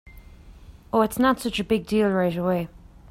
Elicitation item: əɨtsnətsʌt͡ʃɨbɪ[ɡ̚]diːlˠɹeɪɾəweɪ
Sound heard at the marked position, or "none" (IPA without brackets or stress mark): ɡ̚